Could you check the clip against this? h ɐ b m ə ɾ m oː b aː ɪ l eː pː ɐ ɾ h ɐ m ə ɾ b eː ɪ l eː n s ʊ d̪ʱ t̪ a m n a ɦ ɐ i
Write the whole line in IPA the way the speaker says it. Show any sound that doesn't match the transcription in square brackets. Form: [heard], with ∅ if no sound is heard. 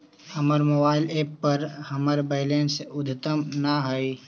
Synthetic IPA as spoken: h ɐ [∅] m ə ɾ m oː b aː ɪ l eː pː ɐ ɾ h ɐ m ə ɾ b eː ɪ l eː n s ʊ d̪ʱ t̪ [ə] m n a ɦ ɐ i